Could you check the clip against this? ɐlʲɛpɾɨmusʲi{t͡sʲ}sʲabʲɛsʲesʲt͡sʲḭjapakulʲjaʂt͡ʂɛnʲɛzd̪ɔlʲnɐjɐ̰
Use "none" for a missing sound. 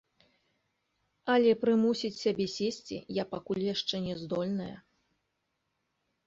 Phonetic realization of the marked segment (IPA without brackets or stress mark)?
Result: t͡sʲ